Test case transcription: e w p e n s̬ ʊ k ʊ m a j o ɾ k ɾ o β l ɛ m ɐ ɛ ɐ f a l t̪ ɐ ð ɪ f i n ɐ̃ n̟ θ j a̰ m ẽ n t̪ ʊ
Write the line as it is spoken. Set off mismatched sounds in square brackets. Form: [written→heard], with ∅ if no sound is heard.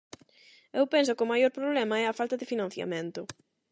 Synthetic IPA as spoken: e w p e n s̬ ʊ k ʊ m a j o ɾ [k→p] ɾ o β l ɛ m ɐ ɛ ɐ f a l t̪ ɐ ð ɪ f i n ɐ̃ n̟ θ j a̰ m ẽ n t̪ ʊ